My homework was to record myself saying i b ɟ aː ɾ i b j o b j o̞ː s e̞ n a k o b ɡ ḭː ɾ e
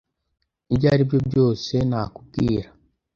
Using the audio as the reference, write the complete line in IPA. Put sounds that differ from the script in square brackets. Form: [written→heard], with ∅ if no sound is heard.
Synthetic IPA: i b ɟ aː ɾ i b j o b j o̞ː s e̞ n a k [o→u] b ɡ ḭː ɾ [e→a]

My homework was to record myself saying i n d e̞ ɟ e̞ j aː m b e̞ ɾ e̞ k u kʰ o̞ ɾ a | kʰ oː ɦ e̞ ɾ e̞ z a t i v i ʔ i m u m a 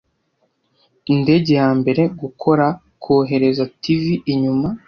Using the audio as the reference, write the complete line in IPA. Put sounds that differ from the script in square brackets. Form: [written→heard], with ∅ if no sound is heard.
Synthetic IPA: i n d e̞ ɟ e̞ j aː m b e̞ ɾ e̞ [k→ɡ] u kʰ o̞ ɾ a | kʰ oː ɦ e̞ ɾ e̞ z a t i v i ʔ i [m→ɲ] u m a

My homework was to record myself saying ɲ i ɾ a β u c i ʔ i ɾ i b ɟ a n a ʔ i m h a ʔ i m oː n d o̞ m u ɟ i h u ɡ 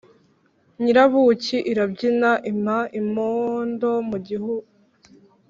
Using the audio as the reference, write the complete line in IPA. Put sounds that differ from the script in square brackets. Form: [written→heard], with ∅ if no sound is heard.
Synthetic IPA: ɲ i ɾ a β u c i ʔ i ɾ [i→a] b ɟ [a→i] n a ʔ i m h a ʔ i m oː n d o̞ m u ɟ i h u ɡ

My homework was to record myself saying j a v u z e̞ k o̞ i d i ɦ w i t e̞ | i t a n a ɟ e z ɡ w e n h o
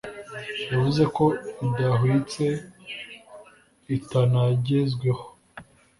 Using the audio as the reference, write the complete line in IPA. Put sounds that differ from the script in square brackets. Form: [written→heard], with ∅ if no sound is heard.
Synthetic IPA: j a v u z e̞ k o̞ i d [i→a] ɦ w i [t→t͡s] e̞ | i t a n a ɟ e z ɡ w e [n→∅] h o

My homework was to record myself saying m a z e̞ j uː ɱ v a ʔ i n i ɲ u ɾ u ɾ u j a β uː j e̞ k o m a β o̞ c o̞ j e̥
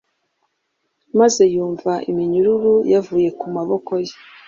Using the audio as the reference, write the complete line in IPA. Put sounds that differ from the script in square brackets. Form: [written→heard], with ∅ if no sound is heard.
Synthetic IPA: m a z e̞ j uː ɱ v a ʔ i [n→m] i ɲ u ɾ u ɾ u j a [β→v] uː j e̞ k [o→u] m a β o̞ [c→k] o̞ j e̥

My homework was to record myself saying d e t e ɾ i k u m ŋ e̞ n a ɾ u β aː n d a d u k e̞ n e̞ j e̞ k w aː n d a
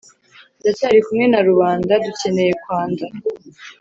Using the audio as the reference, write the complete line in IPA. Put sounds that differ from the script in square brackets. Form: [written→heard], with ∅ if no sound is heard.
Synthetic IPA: d [e→a] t [e→a] ɾ i k u m ŋ e̞ n a ɾ u β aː n d a d u [k→c] e̞ n e̞ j e̞ k w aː n d a

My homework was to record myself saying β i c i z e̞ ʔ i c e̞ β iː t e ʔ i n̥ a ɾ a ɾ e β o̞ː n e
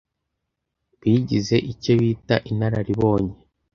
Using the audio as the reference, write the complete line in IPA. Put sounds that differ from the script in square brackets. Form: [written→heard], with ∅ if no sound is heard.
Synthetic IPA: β i [c→ɟ] i z e̞ ʔ i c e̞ β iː t [e→a] ʔ i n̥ a ɾ a ɾ [e→i] β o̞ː [n→ɲ] e

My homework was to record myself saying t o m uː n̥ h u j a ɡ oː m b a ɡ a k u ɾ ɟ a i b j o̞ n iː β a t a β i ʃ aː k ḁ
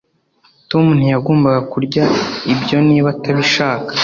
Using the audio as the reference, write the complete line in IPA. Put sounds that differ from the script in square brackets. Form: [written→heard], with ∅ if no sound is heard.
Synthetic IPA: t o m [uː→u] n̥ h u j a ɡ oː m b a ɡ a k u ɾ ɟ a i b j o̞ n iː β a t a β i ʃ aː k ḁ

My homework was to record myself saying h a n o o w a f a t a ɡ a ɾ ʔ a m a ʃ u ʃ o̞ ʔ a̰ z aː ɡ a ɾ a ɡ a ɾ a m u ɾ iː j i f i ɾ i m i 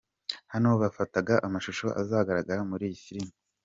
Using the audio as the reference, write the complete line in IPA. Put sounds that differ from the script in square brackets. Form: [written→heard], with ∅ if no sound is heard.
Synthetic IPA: h a n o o [w→β] a f a t a ɡ a [ɾ→∅] ʔ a m a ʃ u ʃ o̞ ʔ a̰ z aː ɡ a ɾ a ɡ a ɾ a m u ɾ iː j i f i ɾ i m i

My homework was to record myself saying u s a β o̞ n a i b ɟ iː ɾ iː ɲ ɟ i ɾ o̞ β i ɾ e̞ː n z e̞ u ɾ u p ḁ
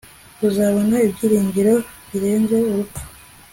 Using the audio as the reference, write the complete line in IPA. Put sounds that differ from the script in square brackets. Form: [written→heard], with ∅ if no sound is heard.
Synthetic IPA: u [s→z] a β o̞ n a i b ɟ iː ɾ iː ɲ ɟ i ɾ o̞ β i ɾ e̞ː n z e̞ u ɾ u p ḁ

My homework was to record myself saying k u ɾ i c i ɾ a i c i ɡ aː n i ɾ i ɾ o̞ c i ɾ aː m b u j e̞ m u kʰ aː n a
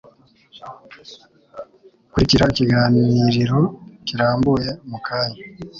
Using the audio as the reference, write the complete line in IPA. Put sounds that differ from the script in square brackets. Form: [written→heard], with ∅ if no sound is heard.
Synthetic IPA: k u ɾ i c i ɾ a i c i ɡ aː n i ɾ i ɾ o̞ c i ɾ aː m b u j e̞ m u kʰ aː [n→ɲ] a

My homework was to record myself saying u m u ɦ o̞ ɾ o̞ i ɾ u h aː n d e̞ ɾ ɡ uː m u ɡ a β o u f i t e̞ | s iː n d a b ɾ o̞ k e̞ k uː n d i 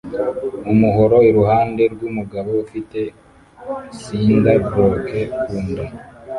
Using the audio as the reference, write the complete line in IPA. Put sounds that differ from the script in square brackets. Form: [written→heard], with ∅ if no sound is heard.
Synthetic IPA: u m u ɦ o̞ ɾ o̞ i ɾ u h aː n d e̞ ɾ ɡ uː m u ɡ a β o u f i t e̞ | s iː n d a b ɾ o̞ k e̞ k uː n d [i→a]

